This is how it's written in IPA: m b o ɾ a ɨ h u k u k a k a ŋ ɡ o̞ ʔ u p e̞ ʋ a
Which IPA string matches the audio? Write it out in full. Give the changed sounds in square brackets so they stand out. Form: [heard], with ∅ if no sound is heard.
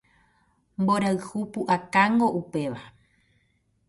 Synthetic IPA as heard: m b o ɾ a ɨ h u [p] u [ʔ] a k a ŋ ɡ o̞ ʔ u p e̞ ʋ a